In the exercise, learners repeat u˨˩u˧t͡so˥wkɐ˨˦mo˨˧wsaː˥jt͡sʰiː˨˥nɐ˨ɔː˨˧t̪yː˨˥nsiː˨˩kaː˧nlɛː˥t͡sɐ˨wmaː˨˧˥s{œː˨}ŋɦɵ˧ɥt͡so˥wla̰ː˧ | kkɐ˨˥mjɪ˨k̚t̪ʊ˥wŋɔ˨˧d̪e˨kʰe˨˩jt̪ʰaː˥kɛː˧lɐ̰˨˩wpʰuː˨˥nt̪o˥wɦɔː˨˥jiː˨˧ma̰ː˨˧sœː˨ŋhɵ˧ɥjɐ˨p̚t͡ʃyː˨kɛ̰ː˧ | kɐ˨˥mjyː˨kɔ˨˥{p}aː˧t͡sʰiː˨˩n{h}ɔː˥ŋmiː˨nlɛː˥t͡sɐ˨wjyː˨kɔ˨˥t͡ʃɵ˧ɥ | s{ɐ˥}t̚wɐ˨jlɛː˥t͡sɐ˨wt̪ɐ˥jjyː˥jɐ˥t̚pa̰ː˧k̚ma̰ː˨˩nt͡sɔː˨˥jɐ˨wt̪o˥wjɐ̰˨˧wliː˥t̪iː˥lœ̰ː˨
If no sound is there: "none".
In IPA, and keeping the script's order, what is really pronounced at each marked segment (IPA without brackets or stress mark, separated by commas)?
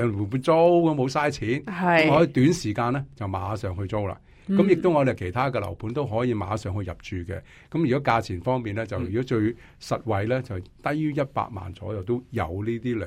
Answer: œː˨, k, f, ɐ˨